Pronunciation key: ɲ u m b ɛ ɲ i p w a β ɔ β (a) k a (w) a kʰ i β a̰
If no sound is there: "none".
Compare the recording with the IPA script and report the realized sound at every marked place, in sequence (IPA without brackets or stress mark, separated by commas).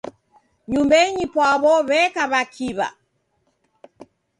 ɛ, β